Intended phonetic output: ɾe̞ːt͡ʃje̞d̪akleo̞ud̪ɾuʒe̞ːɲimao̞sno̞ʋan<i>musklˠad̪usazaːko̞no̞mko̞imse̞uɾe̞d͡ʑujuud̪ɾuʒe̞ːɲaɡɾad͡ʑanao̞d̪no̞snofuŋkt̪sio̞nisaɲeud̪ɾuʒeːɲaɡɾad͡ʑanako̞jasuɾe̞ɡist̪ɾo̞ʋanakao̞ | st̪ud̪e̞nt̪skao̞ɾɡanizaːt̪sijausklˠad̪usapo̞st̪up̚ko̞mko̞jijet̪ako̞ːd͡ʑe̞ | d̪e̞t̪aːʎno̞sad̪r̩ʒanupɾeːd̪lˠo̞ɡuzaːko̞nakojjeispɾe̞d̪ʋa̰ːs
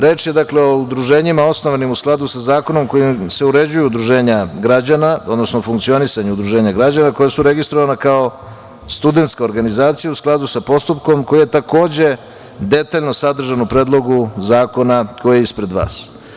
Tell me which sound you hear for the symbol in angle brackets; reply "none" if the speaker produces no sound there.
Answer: i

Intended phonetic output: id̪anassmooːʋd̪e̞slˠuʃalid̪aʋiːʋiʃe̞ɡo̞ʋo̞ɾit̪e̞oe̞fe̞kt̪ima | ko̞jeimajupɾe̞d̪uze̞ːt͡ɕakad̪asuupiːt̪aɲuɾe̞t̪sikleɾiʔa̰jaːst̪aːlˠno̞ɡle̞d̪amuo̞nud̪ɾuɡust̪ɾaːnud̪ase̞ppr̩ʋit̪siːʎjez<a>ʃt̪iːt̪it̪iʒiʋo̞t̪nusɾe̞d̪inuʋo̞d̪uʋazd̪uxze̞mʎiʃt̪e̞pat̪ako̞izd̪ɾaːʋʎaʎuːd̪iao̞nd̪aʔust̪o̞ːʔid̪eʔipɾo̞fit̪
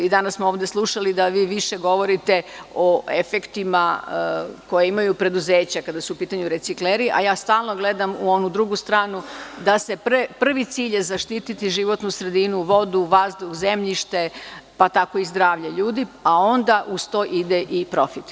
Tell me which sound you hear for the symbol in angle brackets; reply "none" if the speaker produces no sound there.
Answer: a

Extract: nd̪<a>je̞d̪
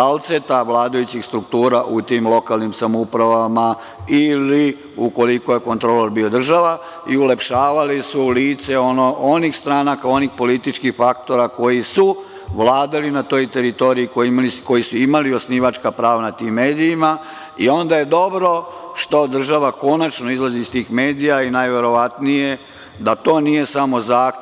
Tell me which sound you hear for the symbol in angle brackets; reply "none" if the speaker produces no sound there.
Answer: a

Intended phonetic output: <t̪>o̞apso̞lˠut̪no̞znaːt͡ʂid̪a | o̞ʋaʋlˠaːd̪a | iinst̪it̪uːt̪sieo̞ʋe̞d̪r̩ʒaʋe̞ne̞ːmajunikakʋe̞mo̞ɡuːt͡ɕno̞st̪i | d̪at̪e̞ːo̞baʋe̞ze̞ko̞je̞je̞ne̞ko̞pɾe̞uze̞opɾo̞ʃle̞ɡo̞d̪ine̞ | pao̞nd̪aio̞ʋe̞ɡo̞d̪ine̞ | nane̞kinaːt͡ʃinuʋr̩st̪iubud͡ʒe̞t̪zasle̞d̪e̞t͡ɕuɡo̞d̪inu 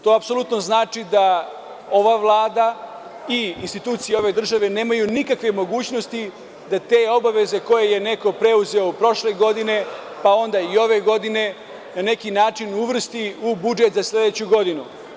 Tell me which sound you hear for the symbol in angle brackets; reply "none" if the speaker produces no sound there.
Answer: t̪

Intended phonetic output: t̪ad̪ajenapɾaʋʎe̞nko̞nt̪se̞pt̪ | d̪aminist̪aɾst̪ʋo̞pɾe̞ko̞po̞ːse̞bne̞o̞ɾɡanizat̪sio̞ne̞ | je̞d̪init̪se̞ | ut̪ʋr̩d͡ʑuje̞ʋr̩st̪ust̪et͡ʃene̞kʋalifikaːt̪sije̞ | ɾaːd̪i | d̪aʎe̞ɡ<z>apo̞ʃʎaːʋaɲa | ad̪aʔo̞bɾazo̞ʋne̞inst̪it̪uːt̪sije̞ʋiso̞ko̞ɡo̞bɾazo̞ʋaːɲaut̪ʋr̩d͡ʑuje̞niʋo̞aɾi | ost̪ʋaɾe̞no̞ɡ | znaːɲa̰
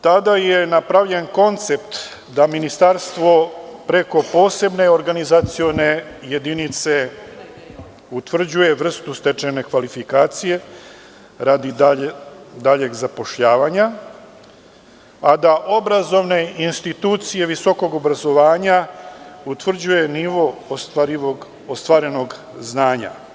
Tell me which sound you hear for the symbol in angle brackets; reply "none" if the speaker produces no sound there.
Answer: z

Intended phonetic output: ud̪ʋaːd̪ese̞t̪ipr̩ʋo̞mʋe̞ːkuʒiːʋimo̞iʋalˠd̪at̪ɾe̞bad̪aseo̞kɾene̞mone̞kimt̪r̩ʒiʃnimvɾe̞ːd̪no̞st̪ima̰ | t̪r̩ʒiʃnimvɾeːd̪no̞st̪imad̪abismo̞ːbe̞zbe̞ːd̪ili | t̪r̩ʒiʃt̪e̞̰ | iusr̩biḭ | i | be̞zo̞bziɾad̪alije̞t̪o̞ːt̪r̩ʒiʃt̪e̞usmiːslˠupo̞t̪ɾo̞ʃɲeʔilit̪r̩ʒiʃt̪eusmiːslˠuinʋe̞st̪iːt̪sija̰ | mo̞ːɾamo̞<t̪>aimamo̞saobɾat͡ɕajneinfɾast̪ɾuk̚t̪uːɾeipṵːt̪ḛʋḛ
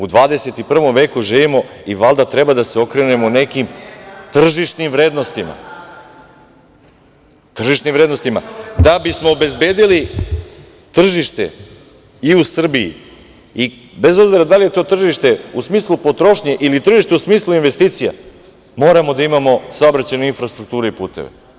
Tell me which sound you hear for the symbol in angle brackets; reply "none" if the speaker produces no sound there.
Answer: d̪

